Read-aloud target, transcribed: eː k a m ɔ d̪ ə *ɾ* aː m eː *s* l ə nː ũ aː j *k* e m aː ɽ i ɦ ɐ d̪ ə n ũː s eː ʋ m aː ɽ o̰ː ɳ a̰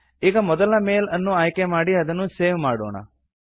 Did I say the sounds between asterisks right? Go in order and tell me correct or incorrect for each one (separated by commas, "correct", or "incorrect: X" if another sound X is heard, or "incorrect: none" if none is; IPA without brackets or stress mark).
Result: incorrect: l, incorrect: none, correct